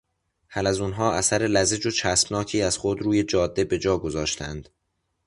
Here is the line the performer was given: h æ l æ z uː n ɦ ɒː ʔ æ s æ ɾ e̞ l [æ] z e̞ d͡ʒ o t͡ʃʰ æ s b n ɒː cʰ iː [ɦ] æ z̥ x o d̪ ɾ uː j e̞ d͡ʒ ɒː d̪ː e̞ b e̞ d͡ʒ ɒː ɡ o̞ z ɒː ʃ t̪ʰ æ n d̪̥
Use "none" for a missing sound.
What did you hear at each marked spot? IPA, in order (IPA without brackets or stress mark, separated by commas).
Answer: æ, none